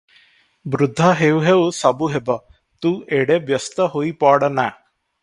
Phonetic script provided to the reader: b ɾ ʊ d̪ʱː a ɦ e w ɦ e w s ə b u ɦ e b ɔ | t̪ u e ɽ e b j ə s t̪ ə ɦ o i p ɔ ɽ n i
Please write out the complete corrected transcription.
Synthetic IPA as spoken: b ɾ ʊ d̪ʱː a ɦ e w ɦ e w s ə b u ɦ e b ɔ | t̪ u e ɽ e b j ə s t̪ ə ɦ o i p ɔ ɽ n a